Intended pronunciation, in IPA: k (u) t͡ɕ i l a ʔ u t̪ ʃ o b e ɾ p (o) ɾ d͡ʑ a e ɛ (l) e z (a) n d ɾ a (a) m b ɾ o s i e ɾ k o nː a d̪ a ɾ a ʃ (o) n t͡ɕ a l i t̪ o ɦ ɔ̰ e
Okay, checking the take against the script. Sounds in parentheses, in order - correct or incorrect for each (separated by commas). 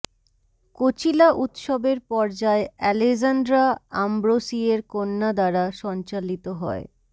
incorrect, incorrect, correct, correct, correct, incorrect